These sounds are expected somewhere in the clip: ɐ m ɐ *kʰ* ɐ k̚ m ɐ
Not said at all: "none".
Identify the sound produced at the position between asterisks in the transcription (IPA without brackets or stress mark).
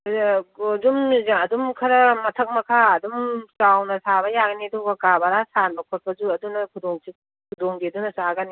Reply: tʰ